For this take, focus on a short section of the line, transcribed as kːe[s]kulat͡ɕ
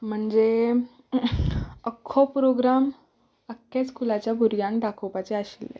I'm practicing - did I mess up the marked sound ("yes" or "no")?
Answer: yes